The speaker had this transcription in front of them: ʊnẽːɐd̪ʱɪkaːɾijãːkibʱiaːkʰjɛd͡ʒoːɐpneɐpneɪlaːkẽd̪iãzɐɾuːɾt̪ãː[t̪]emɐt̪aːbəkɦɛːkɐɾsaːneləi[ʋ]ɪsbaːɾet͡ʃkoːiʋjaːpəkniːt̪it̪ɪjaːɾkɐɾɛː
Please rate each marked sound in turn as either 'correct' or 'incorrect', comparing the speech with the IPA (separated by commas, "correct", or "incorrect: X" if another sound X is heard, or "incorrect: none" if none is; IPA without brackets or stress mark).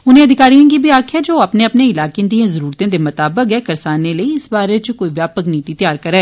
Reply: incorrect: d̪, incorrect: none